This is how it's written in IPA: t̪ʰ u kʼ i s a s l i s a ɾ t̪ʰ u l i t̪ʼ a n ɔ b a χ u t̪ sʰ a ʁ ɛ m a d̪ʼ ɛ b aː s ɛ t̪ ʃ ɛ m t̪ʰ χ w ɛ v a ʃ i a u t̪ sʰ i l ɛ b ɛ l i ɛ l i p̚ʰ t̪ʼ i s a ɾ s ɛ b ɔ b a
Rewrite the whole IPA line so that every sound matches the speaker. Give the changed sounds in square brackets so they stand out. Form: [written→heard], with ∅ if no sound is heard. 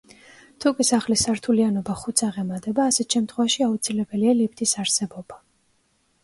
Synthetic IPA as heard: t̪ʰ u kʼ i s a [s→χ] l i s a ɾ t̪ʰ u l i [t̪ʼ→∅] a n ɔ b a χ u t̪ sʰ a ʁ ɛ m a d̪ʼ ɛ b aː s ɛ t̪ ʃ ɛ m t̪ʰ χ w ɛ v a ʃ i a u t̪ sʰ i l ɛ b ɛ l i [ɛ→a] l i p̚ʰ t̪ʼ i s a ɾ s ɛ b ɔ b a